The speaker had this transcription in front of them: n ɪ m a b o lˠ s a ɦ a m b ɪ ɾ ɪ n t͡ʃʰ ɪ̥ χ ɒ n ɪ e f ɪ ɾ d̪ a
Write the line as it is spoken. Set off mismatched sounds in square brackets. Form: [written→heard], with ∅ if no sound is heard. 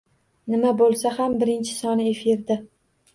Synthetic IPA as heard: n ɪ m a b o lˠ s a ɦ a m b ɪ ɾ ɪ n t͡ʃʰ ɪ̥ [χ→s] ɒ n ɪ e f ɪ ɾ d̪ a